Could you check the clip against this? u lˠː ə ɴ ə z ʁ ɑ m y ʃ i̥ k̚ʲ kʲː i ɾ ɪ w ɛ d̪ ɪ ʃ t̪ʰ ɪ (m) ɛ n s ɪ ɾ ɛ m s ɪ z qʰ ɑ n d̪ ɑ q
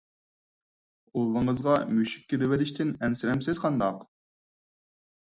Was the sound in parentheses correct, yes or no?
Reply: no